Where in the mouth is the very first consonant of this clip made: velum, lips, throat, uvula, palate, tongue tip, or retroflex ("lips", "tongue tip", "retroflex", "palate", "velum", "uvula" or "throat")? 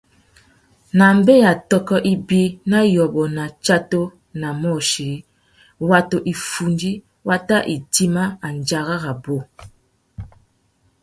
tongue tip